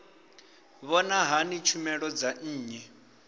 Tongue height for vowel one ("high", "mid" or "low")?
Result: mid